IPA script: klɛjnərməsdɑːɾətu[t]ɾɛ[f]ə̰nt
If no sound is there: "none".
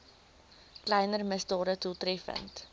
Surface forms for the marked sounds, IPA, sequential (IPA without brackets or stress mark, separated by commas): t, f